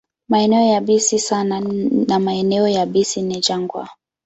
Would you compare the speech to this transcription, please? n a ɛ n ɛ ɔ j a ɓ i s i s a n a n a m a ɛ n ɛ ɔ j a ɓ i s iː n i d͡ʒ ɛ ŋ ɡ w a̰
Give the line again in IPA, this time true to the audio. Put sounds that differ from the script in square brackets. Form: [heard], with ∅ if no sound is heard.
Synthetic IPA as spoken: [m] a ɛ n ɛ ɔ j a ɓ i s i s a n a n a m a ɛ n ɛ ɔ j a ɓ i s [i] n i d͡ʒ [a] ŋ ɡ w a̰